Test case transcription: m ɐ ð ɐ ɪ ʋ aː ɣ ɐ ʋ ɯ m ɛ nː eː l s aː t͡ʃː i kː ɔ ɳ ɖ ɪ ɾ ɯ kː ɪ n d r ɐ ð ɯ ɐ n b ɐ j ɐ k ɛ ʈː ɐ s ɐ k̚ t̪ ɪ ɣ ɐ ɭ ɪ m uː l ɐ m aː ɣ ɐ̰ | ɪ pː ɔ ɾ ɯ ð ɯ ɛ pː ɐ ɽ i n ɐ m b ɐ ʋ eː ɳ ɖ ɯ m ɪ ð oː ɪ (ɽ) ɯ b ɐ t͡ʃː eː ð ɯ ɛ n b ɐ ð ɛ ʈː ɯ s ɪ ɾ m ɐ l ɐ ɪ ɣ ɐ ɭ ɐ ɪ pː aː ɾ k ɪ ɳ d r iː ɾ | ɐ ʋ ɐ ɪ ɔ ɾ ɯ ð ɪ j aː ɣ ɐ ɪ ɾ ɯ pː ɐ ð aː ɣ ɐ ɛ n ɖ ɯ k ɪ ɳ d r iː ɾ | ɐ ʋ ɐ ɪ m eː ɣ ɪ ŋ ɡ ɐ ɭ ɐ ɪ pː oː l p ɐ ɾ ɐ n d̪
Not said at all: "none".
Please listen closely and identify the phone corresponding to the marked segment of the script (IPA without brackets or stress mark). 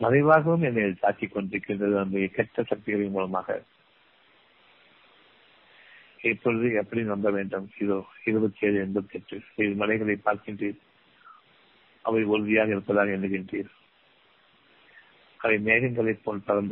ɾ